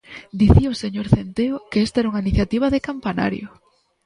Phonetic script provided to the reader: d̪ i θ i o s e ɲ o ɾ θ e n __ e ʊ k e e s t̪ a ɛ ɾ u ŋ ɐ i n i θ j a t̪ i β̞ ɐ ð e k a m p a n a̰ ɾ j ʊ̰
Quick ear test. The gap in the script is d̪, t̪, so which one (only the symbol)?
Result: t̪